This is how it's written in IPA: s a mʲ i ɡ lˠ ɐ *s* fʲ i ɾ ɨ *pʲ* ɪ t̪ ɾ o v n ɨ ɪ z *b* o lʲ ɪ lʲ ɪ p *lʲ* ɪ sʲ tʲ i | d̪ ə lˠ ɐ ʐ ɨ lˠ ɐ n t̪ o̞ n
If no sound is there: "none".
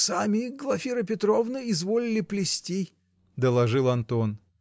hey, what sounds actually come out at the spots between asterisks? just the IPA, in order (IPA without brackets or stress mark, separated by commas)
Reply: none, pʲ, v, lʲ